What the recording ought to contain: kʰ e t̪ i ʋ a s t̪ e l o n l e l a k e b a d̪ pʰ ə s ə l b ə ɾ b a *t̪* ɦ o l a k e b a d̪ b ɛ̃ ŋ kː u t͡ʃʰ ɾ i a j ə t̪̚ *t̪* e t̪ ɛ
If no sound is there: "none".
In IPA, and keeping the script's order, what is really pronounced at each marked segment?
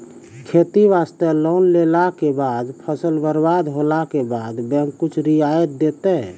d̪, d̪

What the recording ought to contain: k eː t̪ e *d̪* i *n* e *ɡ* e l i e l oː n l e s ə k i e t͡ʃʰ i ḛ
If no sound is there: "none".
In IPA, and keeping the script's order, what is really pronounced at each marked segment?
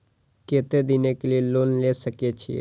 d̪, n, k

